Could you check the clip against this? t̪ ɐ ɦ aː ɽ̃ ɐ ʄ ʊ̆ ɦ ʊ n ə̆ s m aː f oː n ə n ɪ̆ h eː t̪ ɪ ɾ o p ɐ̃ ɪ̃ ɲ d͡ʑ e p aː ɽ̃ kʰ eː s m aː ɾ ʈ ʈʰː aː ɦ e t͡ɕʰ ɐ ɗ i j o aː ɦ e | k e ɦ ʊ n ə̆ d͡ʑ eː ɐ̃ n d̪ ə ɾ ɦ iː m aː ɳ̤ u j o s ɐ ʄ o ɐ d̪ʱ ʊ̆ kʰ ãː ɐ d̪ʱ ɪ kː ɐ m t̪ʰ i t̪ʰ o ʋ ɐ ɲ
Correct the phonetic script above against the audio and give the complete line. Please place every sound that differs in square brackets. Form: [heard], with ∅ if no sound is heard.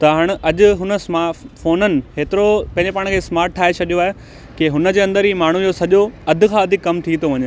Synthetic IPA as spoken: t̪ ɐ ɦ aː ɽ̃ ɐ ʄ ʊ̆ ɦ ʊ n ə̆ s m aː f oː n ə n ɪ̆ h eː t̪ ɪ ɾ o p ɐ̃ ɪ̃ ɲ d͡ʑ e p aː ɽ̃ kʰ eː s m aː ɾ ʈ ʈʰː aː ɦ e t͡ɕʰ ɐ ɗ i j o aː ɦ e | k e ɦ ʊ n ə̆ d͡ʑ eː ɐ̃ n d̪ ə ɾ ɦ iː m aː ɳ̤ u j o s ɐ ʄ o ɐ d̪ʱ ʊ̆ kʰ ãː ɐ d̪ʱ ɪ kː ɐ m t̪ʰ i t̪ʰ o ʋ ɐ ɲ